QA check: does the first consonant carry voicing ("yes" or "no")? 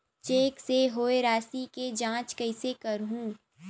no